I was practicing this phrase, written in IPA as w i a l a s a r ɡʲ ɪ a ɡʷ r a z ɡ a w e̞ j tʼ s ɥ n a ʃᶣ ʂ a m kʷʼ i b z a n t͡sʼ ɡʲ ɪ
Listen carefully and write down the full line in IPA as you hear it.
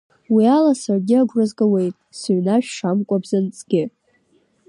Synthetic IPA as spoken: w i a l a s a r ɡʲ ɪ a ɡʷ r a z ɡ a w e̞ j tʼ s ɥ n a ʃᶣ ʂ a m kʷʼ a b z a n t͡sʼ ɡʲ ɪ